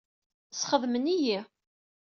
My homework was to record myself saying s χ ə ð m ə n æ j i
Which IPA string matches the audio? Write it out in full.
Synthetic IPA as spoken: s χ ə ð m ə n i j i